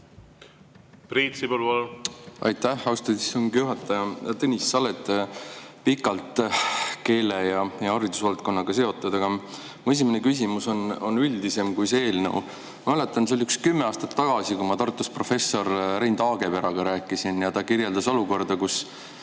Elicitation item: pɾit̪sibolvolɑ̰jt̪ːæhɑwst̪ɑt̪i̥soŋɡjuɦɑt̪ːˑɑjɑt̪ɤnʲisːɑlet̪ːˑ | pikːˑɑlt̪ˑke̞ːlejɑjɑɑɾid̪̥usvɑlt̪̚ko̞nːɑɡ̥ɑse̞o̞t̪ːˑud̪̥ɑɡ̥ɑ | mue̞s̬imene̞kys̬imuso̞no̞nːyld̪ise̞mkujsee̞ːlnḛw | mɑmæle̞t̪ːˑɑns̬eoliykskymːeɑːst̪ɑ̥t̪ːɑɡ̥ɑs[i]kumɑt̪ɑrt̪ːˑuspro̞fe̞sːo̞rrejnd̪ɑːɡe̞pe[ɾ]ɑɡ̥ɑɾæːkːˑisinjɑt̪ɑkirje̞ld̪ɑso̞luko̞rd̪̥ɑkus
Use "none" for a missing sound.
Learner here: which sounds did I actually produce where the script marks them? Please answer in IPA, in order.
i, ɾ

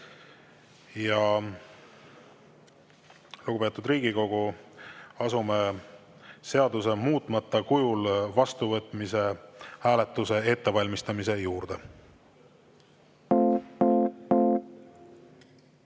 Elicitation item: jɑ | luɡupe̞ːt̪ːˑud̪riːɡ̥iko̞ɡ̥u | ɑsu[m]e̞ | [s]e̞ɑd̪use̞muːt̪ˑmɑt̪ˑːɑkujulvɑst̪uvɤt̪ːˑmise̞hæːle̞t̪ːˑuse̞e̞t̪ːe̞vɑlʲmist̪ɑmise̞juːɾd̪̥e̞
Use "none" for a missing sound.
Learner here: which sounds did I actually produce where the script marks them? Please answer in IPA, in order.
m, s

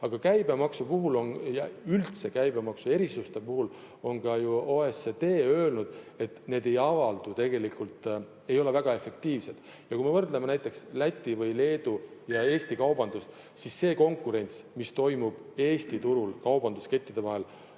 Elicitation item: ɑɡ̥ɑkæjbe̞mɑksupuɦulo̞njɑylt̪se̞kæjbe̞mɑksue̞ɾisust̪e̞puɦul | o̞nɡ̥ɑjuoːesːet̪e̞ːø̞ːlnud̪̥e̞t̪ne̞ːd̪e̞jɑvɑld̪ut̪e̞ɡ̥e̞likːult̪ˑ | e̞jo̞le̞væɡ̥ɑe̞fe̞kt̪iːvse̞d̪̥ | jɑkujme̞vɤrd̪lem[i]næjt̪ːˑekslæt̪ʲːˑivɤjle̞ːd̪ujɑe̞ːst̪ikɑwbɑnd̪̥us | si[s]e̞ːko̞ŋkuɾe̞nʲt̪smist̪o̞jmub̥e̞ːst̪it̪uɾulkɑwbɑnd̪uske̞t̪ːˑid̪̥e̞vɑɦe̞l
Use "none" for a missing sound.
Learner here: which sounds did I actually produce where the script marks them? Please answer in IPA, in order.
e, sː

